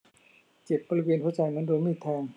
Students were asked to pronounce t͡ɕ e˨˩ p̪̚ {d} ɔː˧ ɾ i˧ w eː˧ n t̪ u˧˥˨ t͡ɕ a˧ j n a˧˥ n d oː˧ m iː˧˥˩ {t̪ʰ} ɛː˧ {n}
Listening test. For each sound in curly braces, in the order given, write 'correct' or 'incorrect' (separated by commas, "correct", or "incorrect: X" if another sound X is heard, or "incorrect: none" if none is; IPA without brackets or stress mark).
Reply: incorrect: b, correct, incorrect: ŋ